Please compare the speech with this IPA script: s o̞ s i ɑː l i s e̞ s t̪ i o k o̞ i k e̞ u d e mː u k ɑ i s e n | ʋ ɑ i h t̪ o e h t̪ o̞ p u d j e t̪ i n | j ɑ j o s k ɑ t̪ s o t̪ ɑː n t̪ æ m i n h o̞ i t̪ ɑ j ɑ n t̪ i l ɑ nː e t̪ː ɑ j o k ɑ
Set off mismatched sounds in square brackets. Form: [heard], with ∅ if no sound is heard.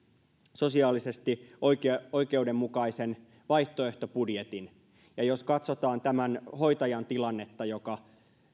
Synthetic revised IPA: s o̞ s i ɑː l i s e̞ s t̪ i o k o̞ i k e̞ u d e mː u k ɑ i s e n | ʋ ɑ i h t̪ o e h t̪ o̞ p u d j e t̪ i n | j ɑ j o s k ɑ t̪ s o t̪ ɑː n t̪ æ m [æ] n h o̞ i t̪ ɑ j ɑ n t̪ i l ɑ nː e t̪ː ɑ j o k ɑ